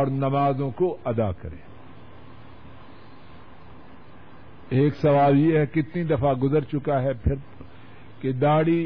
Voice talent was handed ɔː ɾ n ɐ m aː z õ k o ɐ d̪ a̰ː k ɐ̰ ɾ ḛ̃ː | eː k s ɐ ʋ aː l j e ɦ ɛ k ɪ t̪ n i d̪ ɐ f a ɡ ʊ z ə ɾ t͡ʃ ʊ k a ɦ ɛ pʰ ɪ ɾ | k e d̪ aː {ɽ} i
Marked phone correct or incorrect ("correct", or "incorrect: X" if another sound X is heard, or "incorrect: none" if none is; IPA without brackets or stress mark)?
correct